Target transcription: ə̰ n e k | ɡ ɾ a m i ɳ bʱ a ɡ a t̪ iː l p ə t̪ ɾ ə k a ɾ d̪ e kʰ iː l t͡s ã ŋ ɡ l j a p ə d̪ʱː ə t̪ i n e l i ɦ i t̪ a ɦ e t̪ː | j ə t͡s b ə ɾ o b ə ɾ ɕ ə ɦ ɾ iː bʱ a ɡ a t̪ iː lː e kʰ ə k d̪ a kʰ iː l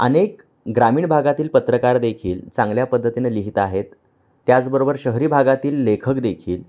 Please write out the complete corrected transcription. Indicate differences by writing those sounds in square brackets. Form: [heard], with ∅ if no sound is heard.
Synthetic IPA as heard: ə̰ n e k | ɡ ɾ a m [iː] ɳ bʱ a ɡ a t̪ iː l p ə t̪ ɾ ə k a ɾ d̪ e kʰ iː l t͡s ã ŋ ɡ l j a p ə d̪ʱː ə t̪ i n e l i ɦ i t̪ a ɦ e t̪ː | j [a] t͡s b ə ɾ o b ə ɾ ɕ ə ɦ ɾ iː bʱ a ɡ a t̪ iː lː e kʰ ə k d̪ [e] kʰ iː l

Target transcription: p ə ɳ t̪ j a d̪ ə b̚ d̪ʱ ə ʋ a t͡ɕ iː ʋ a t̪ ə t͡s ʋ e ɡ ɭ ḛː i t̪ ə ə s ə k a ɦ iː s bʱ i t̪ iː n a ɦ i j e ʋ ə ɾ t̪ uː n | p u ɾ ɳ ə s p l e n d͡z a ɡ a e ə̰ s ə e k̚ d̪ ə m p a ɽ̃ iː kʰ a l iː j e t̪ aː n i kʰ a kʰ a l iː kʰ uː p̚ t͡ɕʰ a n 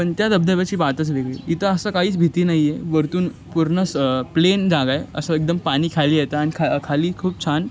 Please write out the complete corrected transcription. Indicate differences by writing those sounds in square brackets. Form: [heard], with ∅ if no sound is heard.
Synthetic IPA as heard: p ə ɳ t̪ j a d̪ ə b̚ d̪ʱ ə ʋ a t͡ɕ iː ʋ a t̪ ə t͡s ʋ e ɡ ɭ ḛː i t̪ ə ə s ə k a ɦ iː [t͡s] bʱ i t̪ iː n a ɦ i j e ʋ ə ɾ t̪ uː n | p u ɾ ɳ ə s p l e n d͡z a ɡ a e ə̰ s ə e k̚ d̪ ə m p a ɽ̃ iː kʰ a l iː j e t̪ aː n i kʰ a kʰ a l iː kʰ uː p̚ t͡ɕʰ a n

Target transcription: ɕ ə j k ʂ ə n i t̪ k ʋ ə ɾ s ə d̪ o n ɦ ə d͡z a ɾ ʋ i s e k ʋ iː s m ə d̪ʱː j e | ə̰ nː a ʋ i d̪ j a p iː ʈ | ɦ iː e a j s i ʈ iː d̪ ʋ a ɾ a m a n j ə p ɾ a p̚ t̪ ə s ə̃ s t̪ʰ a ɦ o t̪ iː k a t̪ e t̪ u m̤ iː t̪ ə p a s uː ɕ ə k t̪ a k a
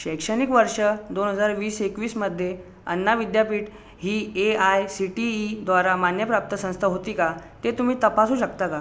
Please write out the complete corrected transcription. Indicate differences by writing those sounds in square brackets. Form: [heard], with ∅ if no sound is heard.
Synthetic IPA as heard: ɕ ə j k ʂ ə n i [∅] k ʋ ə ɾ [ʂ] ə d̪ o n ɦ ə d͡z a ɾ ʋ [iː] s e k ʋ iː s m ə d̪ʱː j e | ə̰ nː a ʋ i d̪ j a p iː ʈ | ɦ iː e a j s i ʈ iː d̪ ʋ a ɾ a m a n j ə p ɾ a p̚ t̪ ə s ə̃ s t̪ʰ a ɦ o t̪ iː k a t̪ e t̪ u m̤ iː t̪ ə p a s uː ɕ ə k t̪ a k a

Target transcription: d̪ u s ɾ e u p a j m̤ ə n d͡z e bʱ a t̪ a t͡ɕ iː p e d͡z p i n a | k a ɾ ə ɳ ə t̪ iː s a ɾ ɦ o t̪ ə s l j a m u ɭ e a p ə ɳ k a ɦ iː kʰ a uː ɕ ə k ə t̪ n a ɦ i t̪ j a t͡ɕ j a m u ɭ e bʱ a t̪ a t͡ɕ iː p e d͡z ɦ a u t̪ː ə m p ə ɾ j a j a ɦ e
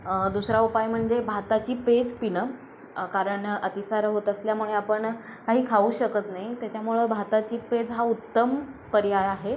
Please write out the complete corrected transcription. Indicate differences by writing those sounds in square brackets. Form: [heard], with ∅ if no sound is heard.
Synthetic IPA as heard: d̪ u s ɾ [a] u p a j m̤ ə [ɳ] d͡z e bʱ a t̪ a t͡ɕ iː p e d͡z p i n [ə] | k a ɾ ə ɳ ə t̪ [i] s a ɾ ɦ o t̪ ə s l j a m u ɭ e a p ə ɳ k a ɦ iː kʰ a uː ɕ ə k ə t̪ n a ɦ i t̪ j a t͡ɕ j a m u ɭ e bʱ a t̪ a t͡ɕ iː p e d͡z ɦ a u t̪ː ə m p ə ɾ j a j a ɦ e

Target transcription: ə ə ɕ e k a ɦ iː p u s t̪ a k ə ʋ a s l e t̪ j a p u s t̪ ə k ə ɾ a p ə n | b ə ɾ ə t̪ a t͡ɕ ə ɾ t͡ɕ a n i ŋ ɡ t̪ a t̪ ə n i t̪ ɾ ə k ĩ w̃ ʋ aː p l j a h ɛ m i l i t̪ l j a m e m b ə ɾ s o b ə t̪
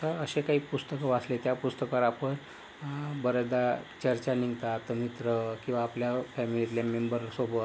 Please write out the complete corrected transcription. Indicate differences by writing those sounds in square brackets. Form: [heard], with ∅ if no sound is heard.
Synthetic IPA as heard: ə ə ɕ e k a ɦ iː p u s t̪ [ə] k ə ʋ a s l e t̪ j a p u s t̪ ə k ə ɾ a p ə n | b ə ɾ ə [d̪] a t͡ɕ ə ɾ t͡ɕ a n i ŋ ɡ t̪ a t̪ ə [m] i t̪ ɾ ə k ĩ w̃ ʋ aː p l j a [f] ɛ m i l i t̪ l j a m e m b ə ɾ s o b ə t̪

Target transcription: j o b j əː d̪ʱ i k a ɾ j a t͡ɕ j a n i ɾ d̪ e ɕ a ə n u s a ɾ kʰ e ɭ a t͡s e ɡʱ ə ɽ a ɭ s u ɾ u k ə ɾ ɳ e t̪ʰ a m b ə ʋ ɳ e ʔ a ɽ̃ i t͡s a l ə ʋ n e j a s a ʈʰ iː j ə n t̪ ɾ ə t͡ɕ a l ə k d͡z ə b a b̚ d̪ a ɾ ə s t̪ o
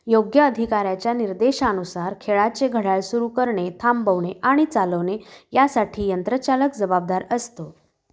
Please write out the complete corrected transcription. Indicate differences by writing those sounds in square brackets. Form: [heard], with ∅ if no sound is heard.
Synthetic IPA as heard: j o [ɡ] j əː d̪ʱ i k a ɾ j a t͡ɕ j a n i ɾ d̪ e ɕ a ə n u s a ɾ kʰ e ɭ a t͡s e ɡʱ ə ɽ a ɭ s u ɾ u k ə ɾ ɳ e t̪ʰ a m b ə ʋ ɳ e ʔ a ɽ̃ i t͡s a l ə ʋ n e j a s a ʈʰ iː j ə n t̪ ɾ ə t͡ɕ a l ə k d͡z ə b a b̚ d̪ a ɾ ə s t̪ o

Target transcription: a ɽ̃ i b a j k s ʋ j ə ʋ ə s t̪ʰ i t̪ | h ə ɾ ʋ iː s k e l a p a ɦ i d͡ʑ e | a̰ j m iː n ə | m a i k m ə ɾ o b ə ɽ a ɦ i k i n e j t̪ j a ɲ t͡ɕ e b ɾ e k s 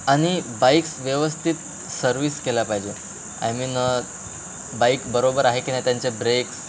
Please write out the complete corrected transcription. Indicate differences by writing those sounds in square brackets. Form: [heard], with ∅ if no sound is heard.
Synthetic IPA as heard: a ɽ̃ i b a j k s ʋ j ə ʋ ə s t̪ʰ i t̪ | [s] ə ɾ ʋ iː s k e l a p a ɦ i d͡ʑ e | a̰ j m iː n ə | [b] a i k [b] ə ɾ o b ə [ɾ] a ɦ [e] k i n [a] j t̪ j a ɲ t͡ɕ e b ɾ e k s

